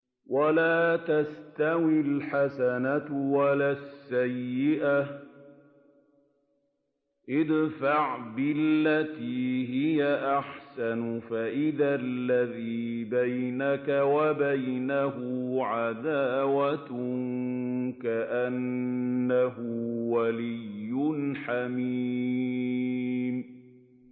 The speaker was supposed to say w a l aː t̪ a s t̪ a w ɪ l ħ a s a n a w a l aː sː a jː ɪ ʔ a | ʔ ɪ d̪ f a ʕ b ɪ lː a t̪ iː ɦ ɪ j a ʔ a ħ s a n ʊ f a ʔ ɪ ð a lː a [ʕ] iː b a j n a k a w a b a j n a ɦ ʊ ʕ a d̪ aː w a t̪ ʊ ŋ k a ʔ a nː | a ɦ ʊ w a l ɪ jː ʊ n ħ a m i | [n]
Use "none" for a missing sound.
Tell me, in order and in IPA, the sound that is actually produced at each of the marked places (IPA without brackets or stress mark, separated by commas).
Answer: ð, m